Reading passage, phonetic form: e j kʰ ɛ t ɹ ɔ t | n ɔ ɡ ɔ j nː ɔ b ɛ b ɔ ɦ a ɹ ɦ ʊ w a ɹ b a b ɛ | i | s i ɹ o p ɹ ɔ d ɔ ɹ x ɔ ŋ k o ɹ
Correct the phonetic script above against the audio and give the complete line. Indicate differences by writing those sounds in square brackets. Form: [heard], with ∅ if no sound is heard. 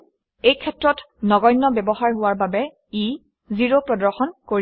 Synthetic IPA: e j kʰ ɛ t ɹ ɔ t | n ɔ ɡ ɔ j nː ɔ b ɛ b ɔ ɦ a ɹ ɦ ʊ w a ɹ b a b ɛ | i | [z] i ɹ o p ɹ ɔ d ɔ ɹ x ɔ [n] k o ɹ